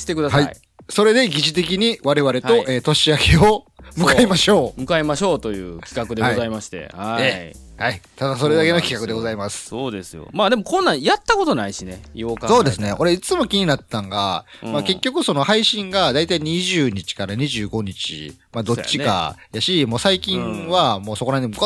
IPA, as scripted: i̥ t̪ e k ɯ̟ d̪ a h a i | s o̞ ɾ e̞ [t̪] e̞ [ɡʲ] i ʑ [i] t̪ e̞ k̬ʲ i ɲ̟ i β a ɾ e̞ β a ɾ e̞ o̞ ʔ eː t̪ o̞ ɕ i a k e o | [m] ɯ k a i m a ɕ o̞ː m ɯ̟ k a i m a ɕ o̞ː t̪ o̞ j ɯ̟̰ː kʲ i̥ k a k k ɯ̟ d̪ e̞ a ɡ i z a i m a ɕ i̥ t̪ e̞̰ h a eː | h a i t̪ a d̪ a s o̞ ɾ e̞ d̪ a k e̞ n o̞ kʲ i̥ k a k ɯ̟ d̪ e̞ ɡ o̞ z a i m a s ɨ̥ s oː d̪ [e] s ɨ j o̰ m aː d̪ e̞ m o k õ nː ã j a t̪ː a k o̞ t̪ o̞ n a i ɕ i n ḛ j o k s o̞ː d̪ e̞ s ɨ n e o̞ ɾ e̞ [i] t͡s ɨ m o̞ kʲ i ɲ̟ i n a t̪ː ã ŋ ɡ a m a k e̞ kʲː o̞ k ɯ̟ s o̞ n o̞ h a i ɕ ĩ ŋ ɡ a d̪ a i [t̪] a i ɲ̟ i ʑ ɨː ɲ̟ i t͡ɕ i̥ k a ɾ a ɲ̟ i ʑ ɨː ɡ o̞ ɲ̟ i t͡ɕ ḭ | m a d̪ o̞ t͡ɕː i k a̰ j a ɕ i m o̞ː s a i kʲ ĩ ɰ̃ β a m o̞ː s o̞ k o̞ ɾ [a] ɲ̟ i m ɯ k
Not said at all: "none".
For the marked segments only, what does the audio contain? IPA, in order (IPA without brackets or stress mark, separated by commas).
d̪, ɡʲ, i, m, e, i, t̪, a